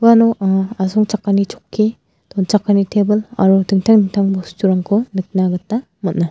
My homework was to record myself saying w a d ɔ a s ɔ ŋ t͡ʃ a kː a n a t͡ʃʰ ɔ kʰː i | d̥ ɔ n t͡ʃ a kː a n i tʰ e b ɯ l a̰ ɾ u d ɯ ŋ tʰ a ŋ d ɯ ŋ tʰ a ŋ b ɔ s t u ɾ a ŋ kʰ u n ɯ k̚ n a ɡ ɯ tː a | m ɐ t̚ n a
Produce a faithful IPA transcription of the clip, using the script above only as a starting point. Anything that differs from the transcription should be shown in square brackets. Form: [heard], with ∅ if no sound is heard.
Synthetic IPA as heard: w a [n] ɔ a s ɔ ŋ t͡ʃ a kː a n [i] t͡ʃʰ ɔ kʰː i | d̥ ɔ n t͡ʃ a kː a n i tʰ e b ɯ l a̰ ɾ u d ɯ ŋ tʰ a ŋ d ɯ ŋ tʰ a ŋ b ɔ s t u ɾ a ŋ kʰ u n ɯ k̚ n a ɡ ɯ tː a | m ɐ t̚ n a